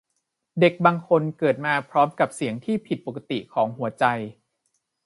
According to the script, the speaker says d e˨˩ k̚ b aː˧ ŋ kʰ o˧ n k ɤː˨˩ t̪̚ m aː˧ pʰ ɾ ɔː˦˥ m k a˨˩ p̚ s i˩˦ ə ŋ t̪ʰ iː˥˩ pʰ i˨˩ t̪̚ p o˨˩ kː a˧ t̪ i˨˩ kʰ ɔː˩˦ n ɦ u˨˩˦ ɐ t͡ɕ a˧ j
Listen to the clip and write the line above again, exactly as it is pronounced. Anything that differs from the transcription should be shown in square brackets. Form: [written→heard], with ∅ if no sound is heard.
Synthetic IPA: d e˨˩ k̚ b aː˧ ŋ kʰ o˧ n k ɤː˨˩ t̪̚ m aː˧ pʰ ɾ ɔː˦˥ m k a˨˩ p̚ s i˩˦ ə ŋ t̪ʰ iː˥˩ pʰ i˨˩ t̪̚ p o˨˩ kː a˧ t̪ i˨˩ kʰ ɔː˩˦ [n→ŋ] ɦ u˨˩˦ ɐ t͡ɕ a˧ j